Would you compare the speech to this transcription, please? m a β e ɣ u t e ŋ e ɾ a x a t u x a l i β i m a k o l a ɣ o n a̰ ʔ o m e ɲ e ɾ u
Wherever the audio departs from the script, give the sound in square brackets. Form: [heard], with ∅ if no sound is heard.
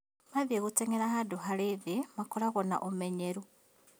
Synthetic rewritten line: m a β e ɣ u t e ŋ e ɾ a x a [d] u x a l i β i m a k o l a ɣ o n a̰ ʔ o m e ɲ e ɾ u